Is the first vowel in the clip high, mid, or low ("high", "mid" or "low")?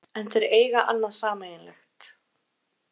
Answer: mid